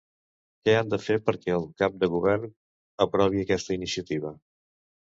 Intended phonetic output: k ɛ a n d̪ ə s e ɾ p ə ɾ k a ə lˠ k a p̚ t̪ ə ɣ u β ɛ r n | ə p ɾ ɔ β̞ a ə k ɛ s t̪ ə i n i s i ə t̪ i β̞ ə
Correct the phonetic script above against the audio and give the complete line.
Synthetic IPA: k ɛ a n d̪ ə f e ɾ p ə ɾ k ɛ ə lˠ k a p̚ d̪ ə ɣ u β ɛ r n | ə p ɾ ɔ β̞ i ə k ɛ s t̪ ə i n i s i ə t̪ i β̞ ə